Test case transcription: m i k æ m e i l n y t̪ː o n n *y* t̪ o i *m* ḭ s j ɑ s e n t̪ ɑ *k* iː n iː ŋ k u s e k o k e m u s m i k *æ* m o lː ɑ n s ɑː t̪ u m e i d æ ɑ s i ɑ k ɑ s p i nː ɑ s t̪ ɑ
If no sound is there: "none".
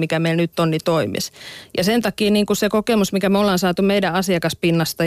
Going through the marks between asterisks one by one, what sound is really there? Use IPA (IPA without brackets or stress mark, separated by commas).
i, m, k, æ